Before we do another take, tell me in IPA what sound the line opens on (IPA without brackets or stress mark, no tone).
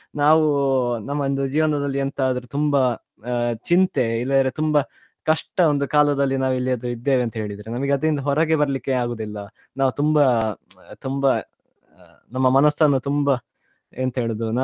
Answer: n